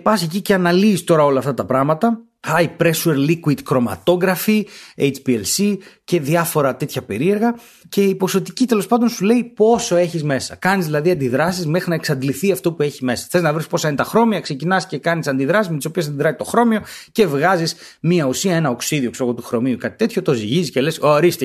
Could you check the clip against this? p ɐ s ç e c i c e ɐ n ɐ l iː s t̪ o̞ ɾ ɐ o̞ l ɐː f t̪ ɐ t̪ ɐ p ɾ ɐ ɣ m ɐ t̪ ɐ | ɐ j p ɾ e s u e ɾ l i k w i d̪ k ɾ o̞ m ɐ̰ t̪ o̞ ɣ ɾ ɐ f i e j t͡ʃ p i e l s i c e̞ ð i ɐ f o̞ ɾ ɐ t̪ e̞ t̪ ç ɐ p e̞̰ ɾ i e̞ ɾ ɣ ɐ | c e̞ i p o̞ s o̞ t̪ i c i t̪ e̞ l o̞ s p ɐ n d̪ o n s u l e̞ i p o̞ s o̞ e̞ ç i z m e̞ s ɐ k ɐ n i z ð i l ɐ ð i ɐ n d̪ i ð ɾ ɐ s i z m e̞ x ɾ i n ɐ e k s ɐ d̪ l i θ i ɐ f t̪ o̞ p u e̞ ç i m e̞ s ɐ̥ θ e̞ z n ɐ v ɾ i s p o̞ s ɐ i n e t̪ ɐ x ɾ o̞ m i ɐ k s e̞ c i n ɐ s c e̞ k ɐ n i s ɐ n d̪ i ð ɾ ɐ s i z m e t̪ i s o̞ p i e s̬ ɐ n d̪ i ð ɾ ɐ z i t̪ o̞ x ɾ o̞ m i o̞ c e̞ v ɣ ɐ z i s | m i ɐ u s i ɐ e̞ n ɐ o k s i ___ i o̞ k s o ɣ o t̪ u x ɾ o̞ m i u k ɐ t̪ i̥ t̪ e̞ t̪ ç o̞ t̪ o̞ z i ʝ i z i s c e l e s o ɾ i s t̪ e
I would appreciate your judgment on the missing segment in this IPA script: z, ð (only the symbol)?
ð